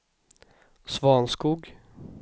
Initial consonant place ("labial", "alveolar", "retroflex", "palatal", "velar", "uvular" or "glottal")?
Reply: alveolar